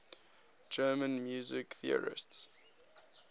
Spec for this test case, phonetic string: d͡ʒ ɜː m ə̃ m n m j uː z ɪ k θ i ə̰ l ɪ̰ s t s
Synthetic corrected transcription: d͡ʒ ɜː m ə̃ n m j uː z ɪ k θ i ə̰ ɹ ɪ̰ s t s